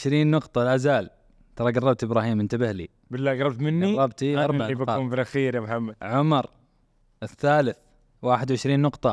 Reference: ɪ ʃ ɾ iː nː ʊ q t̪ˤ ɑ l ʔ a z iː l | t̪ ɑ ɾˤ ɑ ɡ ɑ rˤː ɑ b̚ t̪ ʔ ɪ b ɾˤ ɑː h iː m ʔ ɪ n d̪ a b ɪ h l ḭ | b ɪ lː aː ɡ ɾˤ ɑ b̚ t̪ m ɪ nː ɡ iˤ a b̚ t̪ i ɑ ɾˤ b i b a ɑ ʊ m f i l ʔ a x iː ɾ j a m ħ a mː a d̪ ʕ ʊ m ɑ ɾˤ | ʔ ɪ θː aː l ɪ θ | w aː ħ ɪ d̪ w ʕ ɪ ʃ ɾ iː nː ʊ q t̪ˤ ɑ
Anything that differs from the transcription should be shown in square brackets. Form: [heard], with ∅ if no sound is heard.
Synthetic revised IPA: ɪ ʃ ɾ iː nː ʊ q t̪ˤ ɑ l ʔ a z [aː] l | t̪ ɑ ɾˤ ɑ ɡ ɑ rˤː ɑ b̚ t̪ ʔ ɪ b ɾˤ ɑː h iː m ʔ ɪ n [t̪] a b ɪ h l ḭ | b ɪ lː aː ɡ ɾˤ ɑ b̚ t̪ m ɪ nː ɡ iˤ [ɑ] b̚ t̪ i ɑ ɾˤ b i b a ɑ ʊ m f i l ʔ a x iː ɾ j a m ħ a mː a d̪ ʕ ʊ m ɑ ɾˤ | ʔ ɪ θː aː l ɪ θ | w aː ħ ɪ d̪ w ʕ ɪ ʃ ɾ iː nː ʊ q t̪ˤ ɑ